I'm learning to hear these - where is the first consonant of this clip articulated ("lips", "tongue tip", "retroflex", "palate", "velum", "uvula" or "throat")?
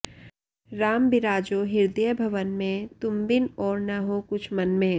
tongue tip